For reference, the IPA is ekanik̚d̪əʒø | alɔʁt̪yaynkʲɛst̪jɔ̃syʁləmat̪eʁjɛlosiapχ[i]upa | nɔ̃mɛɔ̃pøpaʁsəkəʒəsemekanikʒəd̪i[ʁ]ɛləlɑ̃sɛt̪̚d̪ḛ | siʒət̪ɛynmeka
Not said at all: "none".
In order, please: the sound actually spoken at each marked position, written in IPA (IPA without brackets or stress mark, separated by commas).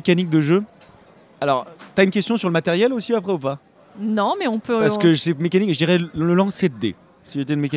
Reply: ɛ, ʁ